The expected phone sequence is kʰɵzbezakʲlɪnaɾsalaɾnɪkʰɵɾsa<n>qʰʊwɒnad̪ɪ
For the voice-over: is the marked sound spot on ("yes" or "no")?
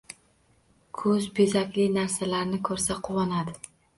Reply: no